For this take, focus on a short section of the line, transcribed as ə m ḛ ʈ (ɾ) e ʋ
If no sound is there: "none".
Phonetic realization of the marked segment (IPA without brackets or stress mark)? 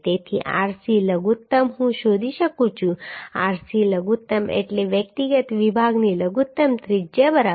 l